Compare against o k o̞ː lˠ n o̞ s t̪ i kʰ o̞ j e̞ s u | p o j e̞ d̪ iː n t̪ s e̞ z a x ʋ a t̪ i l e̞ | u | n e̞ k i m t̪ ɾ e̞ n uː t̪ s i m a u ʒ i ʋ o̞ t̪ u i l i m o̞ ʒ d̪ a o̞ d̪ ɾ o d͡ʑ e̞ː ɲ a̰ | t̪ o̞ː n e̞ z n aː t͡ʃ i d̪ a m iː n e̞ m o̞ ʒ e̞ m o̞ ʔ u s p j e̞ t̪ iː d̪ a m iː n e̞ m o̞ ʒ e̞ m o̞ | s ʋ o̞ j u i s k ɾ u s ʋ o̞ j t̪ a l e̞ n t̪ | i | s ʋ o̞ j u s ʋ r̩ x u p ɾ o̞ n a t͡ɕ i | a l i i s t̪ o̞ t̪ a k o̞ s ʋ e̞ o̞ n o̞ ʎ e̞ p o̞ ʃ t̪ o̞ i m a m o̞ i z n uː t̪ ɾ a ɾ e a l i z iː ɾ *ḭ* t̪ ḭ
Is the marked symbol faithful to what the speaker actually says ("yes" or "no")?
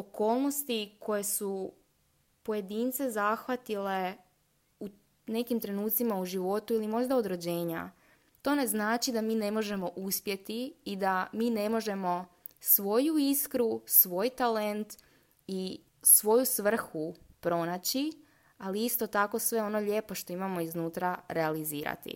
no